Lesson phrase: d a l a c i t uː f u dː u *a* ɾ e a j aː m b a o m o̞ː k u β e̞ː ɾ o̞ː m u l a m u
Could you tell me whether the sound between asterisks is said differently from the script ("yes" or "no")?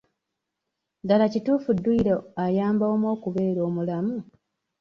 yes